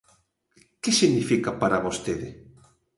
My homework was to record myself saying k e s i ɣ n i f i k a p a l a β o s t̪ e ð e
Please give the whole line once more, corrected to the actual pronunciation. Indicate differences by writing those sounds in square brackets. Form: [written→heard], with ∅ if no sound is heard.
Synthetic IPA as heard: k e s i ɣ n i f i k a p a [l→ɾ] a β o s t̪ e ð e